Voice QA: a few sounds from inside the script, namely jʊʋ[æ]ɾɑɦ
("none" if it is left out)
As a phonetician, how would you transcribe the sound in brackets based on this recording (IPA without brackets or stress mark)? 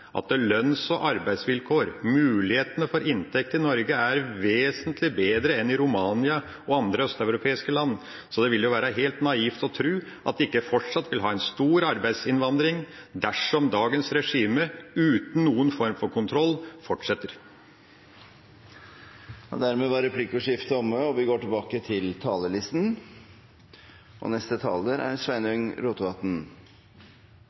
æː